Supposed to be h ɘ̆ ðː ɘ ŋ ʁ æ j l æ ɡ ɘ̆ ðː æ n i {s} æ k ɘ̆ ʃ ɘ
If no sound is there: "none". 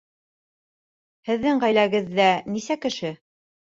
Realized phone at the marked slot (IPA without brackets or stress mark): s